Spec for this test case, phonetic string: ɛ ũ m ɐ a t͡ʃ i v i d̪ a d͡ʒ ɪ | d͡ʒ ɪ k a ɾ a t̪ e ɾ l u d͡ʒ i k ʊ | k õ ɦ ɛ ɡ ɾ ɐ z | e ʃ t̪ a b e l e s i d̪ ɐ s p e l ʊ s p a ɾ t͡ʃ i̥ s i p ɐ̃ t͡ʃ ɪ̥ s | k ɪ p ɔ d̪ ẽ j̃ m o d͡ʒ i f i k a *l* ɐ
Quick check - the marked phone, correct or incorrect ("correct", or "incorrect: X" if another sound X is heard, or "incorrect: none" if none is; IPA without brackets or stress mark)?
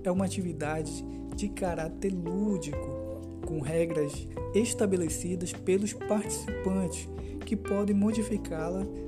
correct